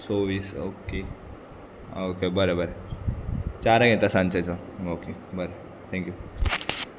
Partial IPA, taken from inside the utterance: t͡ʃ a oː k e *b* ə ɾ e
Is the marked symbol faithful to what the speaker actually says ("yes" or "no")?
yes